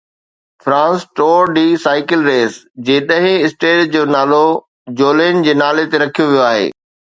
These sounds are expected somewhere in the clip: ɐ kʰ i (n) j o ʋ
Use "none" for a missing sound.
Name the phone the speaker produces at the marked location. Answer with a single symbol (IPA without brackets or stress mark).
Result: none